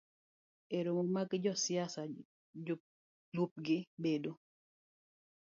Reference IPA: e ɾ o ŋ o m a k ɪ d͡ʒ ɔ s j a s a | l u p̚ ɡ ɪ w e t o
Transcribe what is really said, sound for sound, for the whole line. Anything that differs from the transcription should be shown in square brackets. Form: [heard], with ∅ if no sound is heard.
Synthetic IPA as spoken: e ɾ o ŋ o m a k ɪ d͡ʒ ɔ s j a s a | l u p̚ ɡ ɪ [b] e [d] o

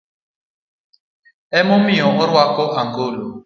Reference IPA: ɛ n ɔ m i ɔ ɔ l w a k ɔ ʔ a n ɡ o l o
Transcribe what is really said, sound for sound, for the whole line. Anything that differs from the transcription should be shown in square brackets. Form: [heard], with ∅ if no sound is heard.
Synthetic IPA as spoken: ɛ [m] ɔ m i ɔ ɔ [ɾ] w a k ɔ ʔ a [ŋ] ɡ o l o

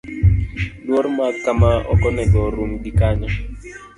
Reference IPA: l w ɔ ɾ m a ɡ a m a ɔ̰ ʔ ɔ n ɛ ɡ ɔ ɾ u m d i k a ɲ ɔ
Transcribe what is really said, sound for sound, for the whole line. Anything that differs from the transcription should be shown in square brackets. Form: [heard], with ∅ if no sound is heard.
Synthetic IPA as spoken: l w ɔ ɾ m a [k] a m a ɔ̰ [k] ɔ n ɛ ɡ ɔ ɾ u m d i k a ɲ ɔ

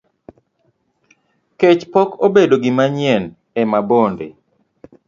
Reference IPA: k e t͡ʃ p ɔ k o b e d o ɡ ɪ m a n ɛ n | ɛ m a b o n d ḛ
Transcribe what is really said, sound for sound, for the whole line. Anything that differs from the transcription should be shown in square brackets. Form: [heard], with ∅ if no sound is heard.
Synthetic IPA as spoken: k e t͡ʃ p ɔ k o b e d o ɡ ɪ m a [ɲ] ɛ n | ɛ m a b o n d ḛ

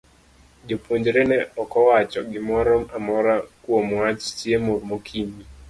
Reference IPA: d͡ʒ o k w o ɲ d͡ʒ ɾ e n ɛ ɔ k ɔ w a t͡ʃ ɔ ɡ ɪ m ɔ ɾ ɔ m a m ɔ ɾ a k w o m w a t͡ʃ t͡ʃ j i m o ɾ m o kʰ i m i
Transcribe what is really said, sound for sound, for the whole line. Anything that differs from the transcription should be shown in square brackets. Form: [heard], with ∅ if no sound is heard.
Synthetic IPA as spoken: d͡ʒ o [p] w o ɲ d͡ʒ ɾ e n ɛ ɔ k ɔ w a t͡ʃ ɔ ɡ ɪ m ɔ ɾ ɔ m a m ɔ ɾ a k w o m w a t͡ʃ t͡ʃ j [e] m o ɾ m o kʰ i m i

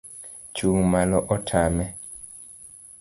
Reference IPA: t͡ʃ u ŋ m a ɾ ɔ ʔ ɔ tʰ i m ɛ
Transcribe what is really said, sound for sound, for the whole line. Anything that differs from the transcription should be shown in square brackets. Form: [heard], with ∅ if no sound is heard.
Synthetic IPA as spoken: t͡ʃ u ŋ m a [l] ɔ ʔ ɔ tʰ [a] m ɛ

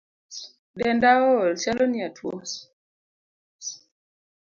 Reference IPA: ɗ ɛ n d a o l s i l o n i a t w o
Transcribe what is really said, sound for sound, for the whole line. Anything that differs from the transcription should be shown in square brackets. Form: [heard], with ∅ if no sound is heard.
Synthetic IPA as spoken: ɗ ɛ n d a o l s [a] l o n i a t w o

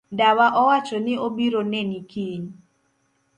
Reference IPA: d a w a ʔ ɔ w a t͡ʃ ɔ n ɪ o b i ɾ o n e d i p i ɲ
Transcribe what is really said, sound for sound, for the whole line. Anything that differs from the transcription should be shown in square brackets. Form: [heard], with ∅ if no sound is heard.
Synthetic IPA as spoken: d a w a ʔ ɔ w a t͡ʃ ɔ n ɪ o b i ɾ o n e [n] i [k] i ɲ

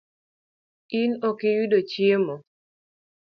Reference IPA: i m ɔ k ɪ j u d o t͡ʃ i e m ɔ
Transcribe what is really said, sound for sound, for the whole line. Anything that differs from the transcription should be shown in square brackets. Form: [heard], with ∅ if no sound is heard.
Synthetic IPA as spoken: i [n] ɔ k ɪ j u d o t͡ʃ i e m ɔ

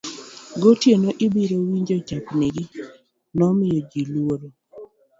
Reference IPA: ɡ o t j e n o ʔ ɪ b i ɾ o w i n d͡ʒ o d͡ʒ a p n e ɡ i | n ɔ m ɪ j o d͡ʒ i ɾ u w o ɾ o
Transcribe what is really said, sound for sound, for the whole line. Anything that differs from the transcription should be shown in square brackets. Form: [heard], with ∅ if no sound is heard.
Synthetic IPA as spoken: ɡ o t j e n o ʔ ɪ b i ɾ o w i [ɲ] d͡ʒ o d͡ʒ a p n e ɡ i | n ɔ m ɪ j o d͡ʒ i [l] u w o ɾ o

